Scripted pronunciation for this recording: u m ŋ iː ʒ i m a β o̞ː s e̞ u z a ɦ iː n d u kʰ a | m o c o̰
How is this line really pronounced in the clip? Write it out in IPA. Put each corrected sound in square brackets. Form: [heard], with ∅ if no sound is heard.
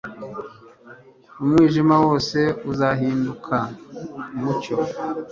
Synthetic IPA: u m ŋ iː ʒ i m a [w] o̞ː s e̞ u z a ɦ iː n d u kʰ a | m [u] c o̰